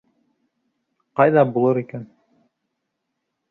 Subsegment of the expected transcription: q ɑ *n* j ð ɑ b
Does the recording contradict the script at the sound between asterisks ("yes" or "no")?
yes